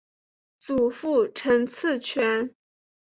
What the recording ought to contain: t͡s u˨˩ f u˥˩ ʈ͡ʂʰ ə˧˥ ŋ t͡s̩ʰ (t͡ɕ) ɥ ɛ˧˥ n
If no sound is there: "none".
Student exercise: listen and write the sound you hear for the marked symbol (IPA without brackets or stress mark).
t͡ɕʰ